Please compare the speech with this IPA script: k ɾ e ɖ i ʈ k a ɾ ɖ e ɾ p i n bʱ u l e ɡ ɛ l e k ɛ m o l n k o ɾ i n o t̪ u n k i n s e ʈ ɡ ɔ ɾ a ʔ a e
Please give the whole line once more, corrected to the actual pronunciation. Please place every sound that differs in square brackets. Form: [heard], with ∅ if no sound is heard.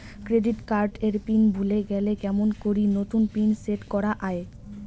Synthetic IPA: k ɾ e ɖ i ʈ k a ɾ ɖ e ɾ p i n bʱ u l e ɡ ɛ l e k ɛ m o [∅] n k o ɾ i n o t̪ u n [p] i n s e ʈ [k] ɔ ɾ a ʔ a e